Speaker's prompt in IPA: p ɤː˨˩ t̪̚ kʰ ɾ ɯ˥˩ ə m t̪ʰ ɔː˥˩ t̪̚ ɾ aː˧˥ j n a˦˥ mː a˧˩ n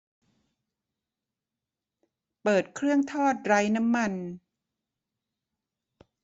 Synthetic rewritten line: p ɤː˨˩ t̪̚ kʰ ɾ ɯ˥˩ ə ŋ t̪ʰ ɔː˥˩ t̪̚ ɾ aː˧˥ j n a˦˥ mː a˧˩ n